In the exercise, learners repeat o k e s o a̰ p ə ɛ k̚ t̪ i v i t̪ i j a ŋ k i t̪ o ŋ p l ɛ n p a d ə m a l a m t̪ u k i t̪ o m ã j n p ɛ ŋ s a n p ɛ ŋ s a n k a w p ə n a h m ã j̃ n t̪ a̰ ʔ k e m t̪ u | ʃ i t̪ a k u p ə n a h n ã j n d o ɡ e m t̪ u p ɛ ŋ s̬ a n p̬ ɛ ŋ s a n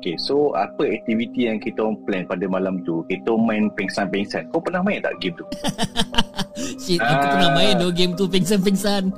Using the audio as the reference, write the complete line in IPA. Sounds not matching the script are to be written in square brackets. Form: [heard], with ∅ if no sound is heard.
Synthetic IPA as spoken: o k e s o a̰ p ə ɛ k̚ t̪ i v i t̪ i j a ŋ k i t̪ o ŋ p l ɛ n p a d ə m a l a m t̪ u k i t̪ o m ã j n p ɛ ŋ s a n p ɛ ŋ s a n k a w p ə n a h m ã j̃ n t̪ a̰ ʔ [ɡ] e m t̪ u | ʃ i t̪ a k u p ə n a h [m] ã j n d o ɡ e m t̪ u p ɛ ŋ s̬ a n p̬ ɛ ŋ s a n